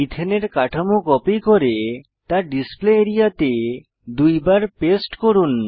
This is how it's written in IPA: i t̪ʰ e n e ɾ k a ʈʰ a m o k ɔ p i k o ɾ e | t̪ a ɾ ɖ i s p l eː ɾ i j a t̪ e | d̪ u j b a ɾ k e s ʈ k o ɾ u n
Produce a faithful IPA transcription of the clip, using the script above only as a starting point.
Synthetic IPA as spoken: i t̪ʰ e n e ɾ k a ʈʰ a m o k ɔ p i k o ɾ e | t̪ a ɾ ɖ i s p l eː ɾ i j a t̪ e | d̪ u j b a ɾ p e s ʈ k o ɾ u n